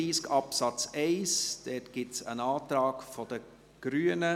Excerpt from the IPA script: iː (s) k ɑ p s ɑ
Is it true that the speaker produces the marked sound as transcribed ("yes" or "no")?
yes